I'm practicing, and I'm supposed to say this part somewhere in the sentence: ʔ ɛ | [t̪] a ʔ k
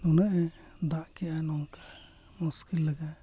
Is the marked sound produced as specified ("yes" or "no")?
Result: no